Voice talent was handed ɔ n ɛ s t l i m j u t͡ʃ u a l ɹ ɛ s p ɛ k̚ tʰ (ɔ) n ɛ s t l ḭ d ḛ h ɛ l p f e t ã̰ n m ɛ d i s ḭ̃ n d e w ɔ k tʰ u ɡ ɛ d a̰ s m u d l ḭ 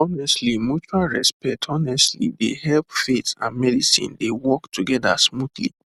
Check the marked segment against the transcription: correct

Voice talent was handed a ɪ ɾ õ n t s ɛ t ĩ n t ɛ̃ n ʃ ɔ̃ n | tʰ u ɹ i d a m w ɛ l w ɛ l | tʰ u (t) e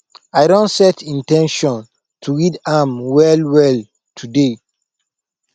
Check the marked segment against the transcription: incorrect: d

